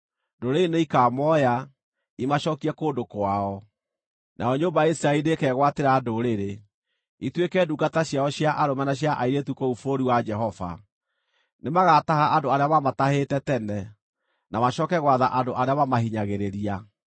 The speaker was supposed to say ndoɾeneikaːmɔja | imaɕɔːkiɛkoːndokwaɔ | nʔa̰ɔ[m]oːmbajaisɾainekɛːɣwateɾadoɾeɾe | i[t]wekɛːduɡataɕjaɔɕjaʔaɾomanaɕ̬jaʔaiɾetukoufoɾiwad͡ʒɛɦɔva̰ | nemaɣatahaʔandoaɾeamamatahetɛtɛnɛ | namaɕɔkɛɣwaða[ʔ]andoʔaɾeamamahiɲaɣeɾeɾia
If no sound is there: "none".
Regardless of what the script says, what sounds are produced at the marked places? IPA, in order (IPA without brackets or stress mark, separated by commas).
ɲ, t, ʔ